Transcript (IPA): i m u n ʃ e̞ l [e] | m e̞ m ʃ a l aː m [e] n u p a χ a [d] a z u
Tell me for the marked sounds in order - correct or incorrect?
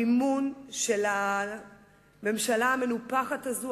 incorrect, correct, incorrect

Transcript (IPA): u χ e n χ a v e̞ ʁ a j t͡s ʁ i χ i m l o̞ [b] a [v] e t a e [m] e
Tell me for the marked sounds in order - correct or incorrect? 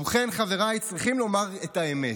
incorrect, incorrect, correct

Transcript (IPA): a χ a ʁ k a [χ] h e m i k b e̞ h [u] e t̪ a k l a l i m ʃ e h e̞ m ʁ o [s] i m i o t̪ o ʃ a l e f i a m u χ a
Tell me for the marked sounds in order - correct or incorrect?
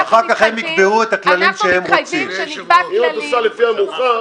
correct, correct, incorrect

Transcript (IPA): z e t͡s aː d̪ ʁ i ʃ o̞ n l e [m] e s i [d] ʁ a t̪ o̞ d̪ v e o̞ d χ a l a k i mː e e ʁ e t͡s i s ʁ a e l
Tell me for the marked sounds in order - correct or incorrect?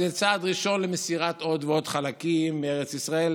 correct, incorrect

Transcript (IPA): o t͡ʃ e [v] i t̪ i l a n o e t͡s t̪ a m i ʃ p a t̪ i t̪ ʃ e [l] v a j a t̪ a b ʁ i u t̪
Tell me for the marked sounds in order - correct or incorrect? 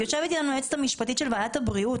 correct, correct

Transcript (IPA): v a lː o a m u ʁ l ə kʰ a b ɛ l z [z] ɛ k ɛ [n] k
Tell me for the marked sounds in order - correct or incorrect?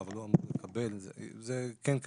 correct, correct

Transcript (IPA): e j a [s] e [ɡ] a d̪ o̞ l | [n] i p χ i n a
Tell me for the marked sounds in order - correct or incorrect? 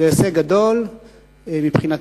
correct, correct, incorrect

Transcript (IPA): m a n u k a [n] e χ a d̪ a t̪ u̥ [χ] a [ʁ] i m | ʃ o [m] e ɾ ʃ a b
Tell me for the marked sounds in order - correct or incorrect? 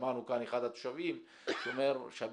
correct, incorrect, incorrect, correct

